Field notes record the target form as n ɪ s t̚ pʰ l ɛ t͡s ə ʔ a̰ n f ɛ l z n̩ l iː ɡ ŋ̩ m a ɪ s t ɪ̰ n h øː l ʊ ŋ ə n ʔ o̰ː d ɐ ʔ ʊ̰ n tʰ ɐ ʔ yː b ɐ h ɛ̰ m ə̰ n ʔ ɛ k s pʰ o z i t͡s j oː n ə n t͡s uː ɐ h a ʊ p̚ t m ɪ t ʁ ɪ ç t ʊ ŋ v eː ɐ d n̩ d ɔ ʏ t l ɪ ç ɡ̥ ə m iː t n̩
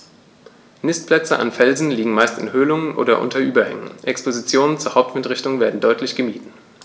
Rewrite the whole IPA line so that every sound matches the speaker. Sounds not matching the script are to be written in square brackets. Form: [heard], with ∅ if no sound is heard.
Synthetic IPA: n ɪ s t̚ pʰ l ɛ t͡s ə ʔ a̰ n f ɛ l z n̩ l iː ɡ ŋ̩ m a ɪ s t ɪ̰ n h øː l ʊ ŋ ə n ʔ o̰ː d ɐ ʔ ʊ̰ n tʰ ɐ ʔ yː b ɐ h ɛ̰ [ŋ] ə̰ n ʔ ɛ k s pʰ o z i t͡s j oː n ə n t͡s uː ɐ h a ʊ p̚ t m ɪ t ʁ ɪ ç t ʊ ŋ v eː ɐ d n̩ d ɔ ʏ t l ɪ ç ɡ̥ ə m iː t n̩